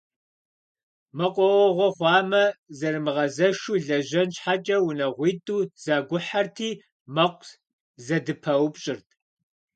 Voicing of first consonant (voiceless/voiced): voiced